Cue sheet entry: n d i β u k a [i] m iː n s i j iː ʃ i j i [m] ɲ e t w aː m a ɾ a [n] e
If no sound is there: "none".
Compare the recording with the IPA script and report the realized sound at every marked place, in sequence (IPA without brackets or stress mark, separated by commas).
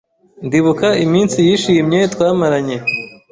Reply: i, m, ɲ